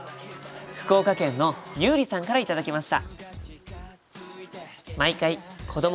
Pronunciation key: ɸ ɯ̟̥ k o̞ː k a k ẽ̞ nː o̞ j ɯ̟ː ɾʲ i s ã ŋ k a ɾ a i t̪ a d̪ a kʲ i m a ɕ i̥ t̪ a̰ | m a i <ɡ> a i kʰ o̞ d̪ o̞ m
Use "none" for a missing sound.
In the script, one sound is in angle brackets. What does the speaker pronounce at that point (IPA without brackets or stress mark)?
k